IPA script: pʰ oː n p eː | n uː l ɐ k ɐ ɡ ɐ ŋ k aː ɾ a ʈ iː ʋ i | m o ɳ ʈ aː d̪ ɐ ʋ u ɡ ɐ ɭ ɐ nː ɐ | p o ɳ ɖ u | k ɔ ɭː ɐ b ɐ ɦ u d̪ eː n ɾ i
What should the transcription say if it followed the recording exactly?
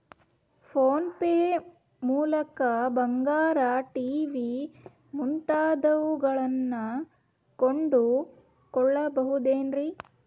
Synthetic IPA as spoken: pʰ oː n p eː | m uː l ɐ k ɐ b ɐ ŋ ɡ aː ɾ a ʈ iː ʋ i | m u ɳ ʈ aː d̪ ɐ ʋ u ɡ ɐ ɭ ɐ nː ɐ | k o ɳ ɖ u | k ɔ ɭː ɐ b ɐ ɦ u d̪ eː n ɾ i